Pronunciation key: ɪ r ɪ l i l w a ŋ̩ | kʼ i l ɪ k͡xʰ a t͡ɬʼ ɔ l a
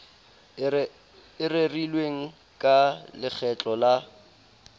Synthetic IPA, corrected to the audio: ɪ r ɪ r i l w e ŋ̩ | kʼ a l ɪ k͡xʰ ɛ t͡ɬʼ ɔ l a